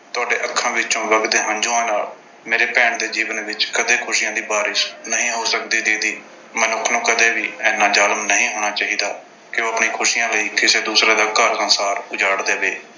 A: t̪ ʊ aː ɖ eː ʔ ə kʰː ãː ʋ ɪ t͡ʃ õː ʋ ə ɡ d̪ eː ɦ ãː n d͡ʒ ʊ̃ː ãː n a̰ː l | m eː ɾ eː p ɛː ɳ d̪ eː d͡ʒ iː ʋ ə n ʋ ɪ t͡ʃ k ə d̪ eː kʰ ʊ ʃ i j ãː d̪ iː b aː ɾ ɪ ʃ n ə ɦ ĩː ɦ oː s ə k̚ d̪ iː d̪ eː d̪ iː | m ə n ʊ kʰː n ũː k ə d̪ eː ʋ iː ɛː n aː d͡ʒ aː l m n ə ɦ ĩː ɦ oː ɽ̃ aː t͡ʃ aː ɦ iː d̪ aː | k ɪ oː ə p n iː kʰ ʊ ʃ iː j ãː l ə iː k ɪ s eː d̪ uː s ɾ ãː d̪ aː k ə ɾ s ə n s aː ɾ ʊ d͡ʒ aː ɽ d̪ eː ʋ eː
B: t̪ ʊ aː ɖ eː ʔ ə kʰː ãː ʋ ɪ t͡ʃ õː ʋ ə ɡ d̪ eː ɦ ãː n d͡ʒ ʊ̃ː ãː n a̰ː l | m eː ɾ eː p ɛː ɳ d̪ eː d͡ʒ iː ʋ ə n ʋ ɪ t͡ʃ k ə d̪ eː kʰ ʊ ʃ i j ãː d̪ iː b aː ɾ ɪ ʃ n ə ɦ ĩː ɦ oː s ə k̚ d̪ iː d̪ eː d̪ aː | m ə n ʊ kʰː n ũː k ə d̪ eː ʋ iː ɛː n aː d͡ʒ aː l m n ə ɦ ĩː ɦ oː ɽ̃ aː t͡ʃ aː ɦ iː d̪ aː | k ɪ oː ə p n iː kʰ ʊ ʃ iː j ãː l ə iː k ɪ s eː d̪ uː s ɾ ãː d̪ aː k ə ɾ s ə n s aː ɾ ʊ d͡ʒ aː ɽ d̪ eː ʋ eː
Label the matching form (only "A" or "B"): A